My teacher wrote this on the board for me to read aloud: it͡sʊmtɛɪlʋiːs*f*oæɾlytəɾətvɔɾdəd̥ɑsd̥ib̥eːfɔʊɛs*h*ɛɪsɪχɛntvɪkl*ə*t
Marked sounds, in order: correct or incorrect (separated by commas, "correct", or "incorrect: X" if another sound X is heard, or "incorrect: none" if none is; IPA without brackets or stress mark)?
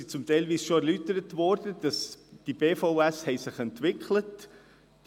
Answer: incorrect: ʃ, correct, correct